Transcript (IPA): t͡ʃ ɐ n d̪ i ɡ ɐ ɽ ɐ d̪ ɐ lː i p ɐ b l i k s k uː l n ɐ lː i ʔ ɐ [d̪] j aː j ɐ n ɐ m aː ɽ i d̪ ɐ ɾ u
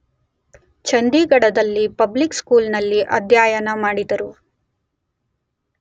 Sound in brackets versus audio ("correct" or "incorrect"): correct